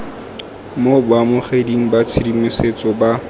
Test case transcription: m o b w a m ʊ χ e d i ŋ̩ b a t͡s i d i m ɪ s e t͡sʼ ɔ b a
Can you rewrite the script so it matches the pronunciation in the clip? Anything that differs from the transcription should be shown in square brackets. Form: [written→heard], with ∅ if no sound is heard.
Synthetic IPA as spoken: m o b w a m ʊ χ e d i ŋ̩ b a [t͡s→t͡sʰ] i d i m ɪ s e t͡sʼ ɔ b a